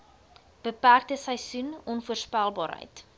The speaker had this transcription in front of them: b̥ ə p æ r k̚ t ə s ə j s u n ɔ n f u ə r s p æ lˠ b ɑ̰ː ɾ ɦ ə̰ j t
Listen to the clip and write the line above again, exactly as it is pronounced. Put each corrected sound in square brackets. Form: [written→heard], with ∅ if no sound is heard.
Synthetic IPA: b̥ ə p æ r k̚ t ə s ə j s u n ɔ n f u ə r s p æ lˠ b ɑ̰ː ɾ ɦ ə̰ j t